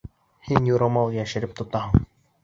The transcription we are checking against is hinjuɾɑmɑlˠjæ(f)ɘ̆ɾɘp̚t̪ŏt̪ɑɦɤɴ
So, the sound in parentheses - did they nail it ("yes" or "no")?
no